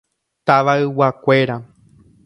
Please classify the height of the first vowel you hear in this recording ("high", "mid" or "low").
low